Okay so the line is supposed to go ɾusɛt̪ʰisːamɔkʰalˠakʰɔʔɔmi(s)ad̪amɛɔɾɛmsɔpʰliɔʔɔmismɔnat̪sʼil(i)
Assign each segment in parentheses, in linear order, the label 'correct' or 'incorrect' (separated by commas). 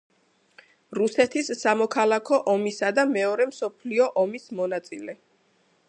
correct, incorrect